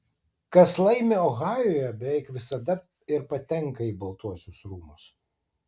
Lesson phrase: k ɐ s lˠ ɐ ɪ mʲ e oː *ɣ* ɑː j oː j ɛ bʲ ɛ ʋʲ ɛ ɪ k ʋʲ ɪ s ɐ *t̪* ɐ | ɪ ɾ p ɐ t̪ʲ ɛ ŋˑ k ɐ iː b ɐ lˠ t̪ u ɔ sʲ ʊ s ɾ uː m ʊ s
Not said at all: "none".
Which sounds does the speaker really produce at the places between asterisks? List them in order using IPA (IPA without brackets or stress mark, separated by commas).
ɣ, d̪